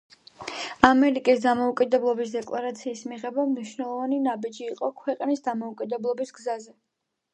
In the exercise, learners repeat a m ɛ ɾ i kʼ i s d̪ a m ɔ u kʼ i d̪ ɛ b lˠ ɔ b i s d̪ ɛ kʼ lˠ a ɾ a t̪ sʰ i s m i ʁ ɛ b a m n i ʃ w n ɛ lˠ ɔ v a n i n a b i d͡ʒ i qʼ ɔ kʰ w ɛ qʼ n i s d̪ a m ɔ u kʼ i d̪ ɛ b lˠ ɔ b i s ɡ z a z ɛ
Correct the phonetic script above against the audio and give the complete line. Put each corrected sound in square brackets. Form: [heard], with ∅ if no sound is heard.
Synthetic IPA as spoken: a m ɛ ɾ i kʼ i s d̪ a m ɔ u kʼ i d̪ ɛ b lˠ ɔ b i s d̪ ɛ kʼ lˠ a ɾ a t̪ sʰ [iː] s m i ʁ ɛ b a m n i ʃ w n ɛ lˠ ɔ v a n i n a b i d͡ʒ [iː] qʼ ɔ kʰ w ɛ qʼ n i s d̪ a m ɔ u kʼ i d̪ ɛ b lˠ ɔ b i s ɡ z a z ɛ